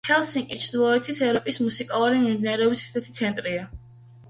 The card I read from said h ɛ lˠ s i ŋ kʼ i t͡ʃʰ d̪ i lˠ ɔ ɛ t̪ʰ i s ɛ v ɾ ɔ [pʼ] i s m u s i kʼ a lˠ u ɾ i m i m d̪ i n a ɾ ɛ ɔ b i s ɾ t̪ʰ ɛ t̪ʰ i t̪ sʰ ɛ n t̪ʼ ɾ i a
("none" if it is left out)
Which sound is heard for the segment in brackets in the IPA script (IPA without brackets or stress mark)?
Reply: pʼ